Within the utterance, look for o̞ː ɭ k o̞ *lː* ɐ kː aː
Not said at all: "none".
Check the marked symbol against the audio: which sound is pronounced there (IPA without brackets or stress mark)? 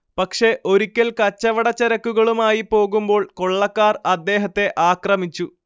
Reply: ɭː